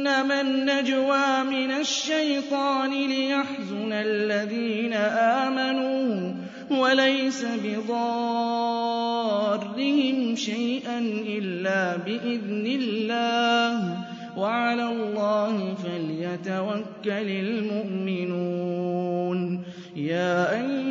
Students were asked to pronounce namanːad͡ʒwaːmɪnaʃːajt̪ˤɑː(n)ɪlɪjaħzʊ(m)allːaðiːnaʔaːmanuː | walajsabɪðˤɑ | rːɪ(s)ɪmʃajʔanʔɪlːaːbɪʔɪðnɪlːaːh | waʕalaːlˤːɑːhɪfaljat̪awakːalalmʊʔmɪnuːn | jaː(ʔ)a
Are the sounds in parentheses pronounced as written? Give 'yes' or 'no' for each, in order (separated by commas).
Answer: yes, no, no, yes